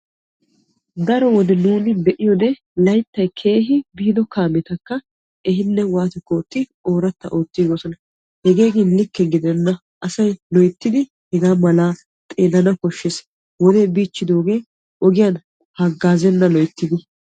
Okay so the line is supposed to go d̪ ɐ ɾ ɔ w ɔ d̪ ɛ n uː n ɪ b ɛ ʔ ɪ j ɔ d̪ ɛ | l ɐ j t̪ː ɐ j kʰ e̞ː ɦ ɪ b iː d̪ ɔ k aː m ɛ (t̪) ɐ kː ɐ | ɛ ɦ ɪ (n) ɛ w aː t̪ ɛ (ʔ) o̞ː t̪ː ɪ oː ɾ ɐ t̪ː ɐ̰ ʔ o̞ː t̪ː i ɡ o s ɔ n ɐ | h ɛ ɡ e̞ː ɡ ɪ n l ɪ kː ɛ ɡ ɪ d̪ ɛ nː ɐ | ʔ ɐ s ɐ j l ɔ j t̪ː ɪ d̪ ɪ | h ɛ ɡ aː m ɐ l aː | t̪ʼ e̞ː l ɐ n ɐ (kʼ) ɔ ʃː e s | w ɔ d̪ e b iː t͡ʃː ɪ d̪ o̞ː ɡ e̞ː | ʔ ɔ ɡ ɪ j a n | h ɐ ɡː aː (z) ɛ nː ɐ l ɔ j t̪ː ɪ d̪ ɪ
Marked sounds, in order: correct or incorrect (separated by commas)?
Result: correct, incorrect, incorrect, incorrect, correct